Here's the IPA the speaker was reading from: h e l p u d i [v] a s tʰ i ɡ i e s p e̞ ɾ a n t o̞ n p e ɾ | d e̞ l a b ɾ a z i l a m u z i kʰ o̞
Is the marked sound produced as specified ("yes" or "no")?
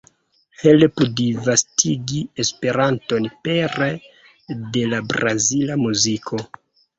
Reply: yes